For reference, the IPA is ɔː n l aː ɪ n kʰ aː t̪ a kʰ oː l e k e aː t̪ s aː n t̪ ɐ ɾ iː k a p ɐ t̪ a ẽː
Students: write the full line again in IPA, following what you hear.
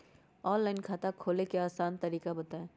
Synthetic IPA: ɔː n l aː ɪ n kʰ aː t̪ a kʰ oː l e k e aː s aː n t̪ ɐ ɾ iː k a b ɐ t̪ a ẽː